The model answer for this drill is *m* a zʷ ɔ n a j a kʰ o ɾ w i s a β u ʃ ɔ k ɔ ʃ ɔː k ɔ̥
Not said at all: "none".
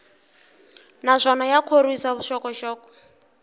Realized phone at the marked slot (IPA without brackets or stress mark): n